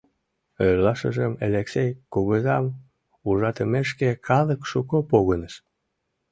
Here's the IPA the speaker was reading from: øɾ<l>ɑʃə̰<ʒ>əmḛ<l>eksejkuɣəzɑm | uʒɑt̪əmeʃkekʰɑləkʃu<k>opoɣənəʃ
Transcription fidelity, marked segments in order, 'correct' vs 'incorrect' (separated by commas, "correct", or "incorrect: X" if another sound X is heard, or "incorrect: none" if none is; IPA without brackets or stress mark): correct, correct, correct, correct